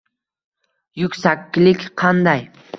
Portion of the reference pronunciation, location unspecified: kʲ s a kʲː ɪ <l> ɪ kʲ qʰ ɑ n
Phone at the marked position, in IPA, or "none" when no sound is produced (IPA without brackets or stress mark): l